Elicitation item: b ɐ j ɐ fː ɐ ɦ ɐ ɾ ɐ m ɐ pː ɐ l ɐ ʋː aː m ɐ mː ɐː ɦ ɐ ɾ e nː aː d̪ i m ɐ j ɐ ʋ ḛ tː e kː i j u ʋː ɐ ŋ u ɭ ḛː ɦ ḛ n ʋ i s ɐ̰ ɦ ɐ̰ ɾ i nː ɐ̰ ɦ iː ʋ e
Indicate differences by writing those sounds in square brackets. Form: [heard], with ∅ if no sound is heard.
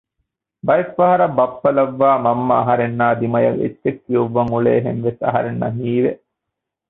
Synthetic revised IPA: b ɐ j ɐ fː ɐ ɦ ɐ ɾ ɐ [b] ɐ pː ɐ l ɐ ʋː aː m ɐ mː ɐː ɦ ɐ ɾ e nː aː d̪ i m ɐ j ɐ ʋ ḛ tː e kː i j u ʋː ɐ ŋ u ɭ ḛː ɦ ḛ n ʋ [e] s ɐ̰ ɦ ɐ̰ ɾ [e] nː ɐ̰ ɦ iː ʋ e